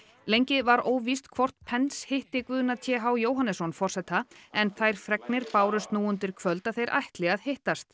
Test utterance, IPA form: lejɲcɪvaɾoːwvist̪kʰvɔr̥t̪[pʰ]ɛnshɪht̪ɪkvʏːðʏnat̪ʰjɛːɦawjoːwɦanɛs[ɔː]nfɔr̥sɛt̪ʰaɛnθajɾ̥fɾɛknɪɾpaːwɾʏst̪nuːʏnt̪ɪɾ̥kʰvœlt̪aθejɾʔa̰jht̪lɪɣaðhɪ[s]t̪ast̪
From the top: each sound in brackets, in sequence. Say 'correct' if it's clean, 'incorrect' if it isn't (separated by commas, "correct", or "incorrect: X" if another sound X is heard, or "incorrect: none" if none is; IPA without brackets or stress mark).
correct, incorrect: ɔ, incorrect: h